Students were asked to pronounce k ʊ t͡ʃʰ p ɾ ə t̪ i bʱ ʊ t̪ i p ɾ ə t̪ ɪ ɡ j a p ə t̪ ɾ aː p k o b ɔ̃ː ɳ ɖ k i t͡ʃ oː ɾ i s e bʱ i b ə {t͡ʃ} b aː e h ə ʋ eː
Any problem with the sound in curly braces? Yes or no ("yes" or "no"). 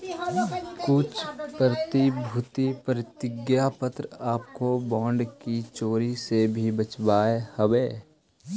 no